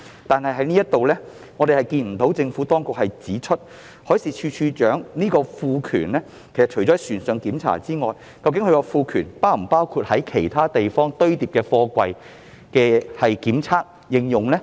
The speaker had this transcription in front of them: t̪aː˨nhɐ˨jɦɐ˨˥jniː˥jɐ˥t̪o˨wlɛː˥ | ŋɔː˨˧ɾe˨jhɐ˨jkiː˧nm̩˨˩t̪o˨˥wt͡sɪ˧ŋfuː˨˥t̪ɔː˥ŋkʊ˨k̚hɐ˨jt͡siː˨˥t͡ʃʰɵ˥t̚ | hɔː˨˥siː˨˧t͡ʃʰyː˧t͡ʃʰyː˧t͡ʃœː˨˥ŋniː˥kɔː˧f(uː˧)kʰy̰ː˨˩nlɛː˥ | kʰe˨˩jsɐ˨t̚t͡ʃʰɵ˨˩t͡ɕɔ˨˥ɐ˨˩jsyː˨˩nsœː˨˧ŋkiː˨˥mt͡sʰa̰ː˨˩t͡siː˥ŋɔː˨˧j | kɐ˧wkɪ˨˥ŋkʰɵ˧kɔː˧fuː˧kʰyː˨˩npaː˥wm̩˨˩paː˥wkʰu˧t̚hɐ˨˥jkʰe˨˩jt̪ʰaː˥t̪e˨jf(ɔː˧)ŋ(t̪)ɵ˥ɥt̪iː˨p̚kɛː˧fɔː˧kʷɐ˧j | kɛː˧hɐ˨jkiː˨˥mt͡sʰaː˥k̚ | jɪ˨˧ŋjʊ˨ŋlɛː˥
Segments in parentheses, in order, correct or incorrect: correct, incorrect: ɔː˥, correct

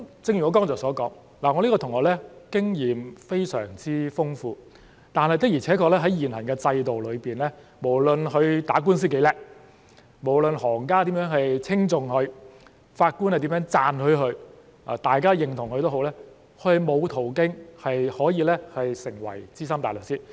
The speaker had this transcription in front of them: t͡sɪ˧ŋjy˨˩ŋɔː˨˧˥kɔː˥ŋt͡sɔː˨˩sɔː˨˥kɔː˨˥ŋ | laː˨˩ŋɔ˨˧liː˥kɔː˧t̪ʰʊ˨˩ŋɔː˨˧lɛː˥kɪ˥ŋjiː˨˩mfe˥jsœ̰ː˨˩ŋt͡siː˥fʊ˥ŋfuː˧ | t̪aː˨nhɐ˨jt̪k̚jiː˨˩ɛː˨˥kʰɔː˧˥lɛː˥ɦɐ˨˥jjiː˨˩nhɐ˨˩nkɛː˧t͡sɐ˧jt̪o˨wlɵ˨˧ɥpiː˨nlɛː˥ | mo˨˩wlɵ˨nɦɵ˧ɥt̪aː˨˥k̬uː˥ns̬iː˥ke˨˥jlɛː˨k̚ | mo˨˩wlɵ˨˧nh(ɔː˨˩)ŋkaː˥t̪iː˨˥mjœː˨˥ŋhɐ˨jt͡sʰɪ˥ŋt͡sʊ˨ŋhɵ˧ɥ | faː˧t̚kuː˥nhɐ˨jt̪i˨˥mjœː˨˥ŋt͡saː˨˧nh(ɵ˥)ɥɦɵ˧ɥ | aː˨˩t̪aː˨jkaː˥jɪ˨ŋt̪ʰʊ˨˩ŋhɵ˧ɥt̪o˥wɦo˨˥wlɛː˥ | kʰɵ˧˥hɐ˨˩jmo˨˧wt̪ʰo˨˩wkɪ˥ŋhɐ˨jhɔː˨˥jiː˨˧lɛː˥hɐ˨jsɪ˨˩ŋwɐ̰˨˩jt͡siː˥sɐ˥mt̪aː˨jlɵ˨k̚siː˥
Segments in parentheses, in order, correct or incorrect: correct, incorrect: ɵ˧

